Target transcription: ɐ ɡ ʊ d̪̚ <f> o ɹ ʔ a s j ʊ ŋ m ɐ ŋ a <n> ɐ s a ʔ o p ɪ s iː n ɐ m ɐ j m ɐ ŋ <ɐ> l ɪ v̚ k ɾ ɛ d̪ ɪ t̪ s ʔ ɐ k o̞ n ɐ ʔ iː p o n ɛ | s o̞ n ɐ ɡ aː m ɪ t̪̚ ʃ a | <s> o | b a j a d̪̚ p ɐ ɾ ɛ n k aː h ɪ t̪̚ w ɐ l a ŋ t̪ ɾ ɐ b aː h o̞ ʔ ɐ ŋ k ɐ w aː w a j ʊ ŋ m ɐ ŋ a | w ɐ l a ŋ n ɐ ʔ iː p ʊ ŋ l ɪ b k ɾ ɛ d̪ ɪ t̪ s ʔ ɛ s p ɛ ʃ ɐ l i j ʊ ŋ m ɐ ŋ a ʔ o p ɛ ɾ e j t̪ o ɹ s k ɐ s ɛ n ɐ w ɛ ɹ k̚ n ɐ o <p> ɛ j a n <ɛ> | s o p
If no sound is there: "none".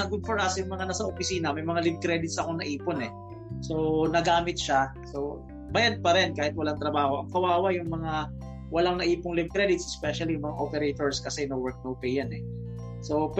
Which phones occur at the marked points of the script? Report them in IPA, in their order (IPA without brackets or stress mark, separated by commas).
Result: f, n, a, s, p, ɛ